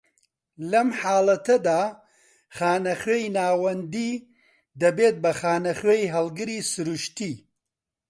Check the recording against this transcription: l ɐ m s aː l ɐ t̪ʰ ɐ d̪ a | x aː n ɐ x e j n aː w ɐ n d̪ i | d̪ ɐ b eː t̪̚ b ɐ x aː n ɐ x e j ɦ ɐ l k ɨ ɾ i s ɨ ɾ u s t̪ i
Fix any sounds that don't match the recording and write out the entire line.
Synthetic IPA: l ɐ m ħ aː l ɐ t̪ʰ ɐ d̪ a | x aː n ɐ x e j n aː w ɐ n d̪ i | d̪ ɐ b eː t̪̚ b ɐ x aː n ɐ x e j ɦ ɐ l ɡ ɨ ɾ i s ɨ ɾ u ʃ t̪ i